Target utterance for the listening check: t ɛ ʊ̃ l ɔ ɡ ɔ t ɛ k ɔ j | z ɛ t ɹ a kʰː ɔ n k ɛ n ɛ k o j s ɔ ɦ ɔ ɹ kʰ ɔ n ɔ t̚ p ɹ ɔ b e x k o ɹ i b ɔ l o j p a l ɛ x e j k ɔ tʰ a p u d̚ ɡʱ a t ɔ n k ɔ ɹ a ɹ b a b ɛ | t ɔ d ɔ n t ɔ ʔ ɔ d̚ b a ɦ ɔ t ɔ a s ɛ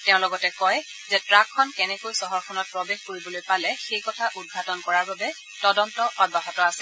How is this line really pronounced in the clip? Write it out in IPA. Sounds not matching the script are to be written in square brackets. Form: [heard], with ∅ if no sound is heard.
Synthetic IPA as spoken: t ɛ ʊ̃ l ɔ ɡ ɔ t ɛ k ɔ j | z ɛ t ɹ a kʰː ɔ n k ɛ n ɛ k o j s ɔ ɦ ɔ ɹ kʰ ɔ n ɔ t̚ p ɹ ɔ b e x k o ɹ i b ɔ l o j p a l ɛ x e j k ɔ tʰ a [ʔ] u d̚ ɡʱ a t ɔ n k ɔ ɹ a ɹ b a b ɛ | t ɔ d ɔ n t ɔ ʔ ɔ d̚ b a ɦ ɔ t ɔ a s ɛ